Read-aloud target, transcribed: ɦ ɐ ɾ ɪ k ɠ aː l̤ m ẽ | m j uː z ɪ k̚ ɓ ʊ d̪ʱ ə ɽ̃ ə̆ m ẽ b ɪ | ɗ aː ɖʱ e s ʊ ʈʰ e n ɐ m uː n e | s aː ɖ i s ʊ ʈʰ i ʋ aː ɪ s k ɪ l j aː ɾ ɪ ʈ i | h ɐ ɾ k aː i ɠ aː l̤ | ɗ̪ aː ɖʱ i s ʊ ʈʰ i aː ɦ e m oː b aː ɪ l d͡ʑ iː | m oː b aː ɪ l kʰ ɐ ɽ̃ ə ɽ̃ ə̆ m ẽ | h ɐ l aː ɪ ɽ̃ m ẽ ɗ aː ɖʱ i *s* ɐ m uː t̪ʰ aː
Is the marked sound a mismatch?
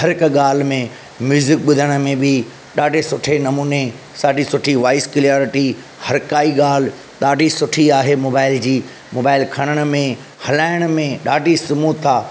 no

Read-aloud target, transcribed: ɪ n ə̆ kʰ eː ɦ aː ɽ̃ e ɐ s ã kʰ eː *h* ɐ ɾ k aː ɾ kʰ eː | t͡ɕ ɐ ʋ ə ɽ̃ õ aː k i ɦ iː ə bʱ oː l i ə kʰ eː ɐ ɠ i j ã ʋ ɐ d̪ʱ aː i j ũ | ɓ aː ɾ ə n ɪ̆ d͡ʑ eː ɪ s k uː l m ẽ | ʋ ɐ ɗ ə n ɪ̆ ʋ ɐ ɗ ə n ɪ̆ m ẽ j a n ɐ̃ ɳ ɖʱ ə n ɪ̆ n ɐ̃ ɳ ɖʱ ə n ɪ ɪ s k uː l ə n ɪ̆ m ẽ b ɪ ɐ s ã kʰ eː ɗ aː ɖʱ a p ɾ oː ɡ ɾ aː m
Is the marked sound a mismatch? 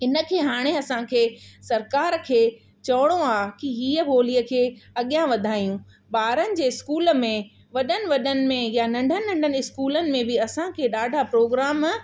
yes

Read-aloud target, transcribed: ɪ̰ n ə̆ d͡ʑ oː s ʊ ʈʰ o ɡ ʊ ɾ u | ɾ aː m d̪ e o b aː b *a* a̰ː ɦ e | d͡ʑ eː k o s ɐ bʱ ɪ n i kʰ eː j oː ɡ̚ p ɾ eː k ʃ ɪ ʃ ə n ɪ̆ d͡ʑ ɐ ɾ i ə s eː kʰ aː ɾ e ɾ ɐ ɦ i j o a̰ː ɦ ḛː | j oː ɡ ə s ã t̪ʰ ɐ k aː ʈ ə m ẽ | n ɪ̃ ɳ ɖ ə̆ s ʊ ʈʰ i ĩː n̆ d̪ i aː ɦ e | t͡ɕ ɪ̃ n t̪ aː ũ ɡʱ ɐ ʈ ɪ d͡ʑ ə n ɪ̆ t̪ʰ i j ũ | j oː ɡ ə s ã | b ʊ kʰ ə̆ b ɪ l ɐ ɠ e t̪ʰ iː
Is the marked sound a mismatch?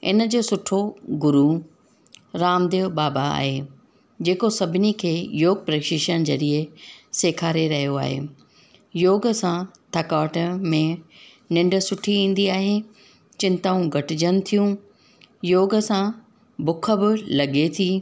no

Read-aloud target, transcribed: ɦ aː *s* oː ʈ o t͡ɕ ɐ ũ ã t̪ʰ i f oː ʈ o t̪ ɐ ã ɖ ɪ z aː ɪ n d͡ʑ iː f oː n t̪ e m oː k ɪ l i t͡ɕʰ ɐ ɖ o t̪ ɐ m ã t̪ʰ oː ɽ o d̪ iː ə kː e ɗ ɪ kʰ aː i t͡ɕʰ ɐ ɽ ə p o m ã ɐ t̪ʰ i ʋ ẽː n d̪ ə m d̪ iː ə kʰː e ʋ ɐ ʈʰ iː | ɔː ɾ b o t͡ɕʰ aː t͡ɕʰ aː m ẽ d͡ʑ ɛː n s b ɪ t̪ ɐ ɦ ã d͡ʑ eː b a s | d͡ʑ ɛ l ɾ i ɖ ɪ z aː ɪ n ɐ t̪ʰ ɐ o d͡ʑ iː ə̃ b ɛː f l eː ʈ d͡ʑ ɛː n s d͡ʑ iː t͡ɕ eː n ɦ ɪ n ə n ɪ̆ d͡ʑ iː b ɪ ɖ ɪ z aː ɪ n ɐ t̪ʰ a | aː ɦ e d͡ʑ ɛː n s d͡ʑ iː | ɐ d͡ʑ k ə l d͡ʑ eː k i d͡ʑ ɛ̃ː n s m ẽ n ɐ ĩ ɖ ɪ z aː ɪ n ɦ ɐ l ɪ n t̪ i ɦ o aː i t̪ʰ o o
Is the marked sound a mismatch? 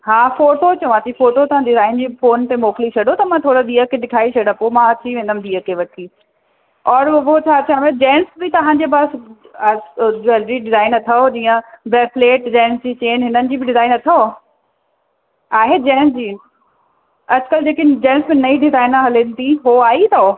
yes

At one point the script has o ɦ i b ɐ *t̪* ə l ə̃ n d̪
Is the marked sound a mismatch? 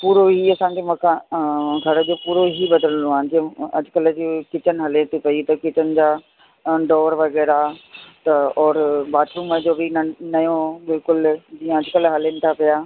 yes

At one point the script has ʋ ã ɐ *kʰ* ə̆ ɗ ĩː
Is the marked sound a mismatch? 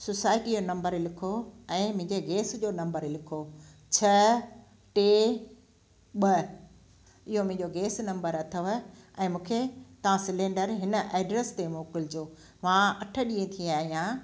yes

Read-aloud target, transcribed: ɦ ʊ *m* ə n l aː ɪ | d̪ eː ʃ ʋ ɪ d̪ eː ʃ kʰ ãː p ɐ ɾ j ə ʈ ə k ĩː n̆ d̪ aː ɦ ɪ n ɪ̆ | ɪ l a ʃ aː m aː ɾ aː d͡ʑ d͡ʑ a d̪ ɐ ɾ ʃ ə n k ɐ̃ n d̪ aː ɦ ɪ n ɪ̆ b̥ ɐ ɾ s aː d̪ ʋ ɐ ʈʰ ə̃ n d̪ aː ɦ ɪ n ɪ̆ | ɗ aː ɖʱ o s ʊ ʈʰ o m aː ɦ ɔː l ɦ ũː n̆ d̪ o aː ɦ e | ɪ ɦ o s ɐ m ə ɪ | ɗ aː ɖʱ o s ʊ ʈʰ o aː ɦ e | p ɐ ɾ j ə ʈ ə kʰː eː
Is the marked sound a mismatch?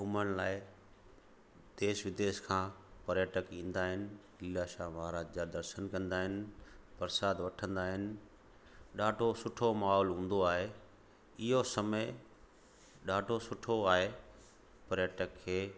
no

